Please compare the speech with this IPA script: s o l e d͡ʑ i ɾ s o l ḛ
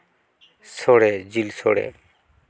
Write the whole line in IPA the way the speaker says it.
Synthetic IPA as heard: s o ɽ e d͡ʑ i l s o ɽ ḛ